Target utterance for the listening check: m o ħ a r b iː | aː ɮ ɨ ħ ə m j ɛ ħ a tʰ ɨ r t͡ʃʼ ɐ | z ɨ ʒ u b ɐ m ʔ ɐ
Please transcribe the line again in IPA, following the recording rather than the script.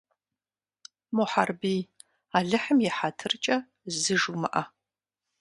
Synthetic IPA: m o ħ a r b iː | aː ɮ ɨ ħ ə m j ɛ ħ a tʰ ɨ r t͡ʃʼ ɐ | z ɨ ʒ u m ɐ ʔ ɐ